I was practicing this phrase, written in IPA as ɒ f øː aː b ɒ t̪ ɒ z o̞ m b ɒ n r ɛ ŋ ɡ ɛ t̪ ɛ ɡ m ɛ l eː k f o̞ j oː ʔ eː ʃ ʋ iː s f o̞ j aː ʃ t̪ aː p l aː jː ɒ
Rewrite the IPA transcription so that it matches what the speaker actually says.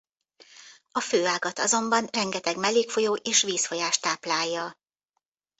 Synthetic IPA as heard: ɒ f øː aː ɡ ɒ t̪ ɒ z o̞ m b ɒ n r ɛ ŋ ɡ ɛ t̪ ɛ ɡ m ɛ l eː k f o̞ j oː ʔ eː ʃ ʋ iː s f o̞ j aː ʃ t̪ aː p l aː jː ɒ